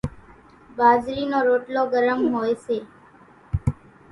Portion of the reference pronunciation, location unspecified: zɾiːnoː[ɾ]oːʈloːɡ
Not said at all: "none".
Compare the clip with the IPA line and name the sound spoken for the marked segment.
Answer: ɾ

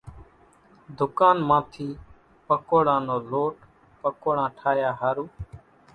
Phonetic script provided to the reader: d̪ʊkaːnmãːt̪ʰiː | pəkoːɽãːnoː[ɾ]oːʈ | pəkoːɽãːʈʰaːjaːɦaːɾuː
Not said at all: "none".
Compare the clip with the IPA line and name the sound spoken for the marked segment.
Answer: l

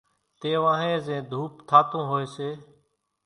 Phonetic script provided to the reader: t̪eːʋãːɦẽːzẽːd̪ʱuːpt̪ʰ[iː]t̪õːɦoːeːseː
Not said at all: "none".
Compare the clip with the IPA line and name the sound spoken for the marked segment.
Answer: aː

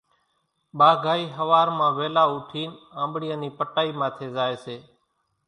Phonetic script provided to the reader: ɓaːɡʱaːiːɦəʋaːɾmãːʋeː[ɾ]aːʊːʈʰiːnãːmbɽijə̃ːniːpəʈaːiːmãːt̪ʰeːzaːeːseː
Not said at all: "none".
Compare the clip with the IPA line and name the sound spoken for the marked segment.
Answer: l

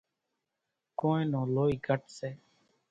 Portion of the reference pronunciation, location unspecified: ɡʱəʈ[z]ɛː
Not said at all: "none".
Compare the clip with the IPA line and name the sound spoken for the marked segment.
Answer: s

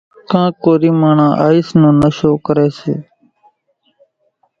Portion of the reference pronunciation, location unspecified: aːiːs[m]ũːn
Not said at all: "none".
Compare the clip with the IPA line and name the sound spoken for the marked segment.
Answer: n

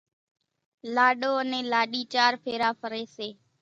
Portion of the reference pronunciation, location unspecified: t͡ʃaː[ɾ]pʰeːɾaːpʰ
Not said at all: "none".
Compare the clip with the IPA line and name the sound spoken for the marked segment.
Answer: ɾ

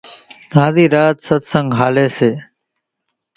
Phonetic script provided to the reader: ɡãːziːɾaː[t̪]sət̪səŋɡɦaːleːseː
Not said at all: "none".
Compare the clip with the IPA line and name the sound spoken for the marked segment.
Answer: t̪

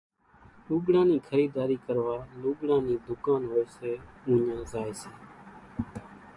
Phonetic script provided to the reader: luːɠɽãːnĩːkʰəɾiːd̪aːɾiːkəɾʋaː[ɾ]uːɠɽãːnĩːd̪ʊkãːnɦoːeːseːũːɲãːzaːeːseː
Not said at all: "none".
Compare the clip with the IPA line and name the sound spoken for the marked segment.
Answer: l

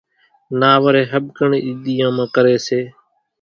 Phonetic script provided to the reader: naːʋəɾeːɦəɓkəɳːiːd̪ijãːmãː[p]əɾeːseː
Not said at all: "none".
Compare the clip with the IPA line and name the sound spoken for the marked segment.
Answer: k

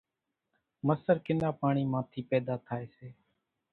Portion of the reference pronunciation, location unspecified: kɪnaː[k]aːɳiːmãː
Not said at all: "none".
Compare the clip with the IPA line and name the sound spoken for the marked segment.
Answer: p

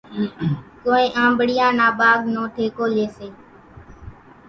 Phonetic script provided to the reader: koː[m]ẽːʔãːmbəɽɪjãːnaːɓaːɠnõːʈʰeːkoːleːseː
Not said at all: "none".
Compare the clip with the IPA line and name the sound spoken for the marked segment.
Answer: none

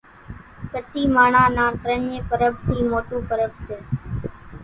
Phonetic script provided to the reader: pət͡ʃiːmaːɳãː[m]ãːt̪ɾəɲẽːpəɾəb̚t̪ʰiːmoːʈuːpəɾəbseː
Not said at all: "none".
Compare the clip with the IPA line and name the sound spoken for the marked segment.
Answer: n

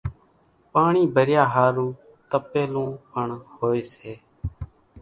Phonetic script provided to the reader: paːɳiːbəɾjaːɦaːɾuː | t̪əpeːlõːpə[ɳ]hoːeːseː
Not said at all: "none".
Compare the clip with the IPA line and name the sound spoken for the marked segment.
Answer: ɳ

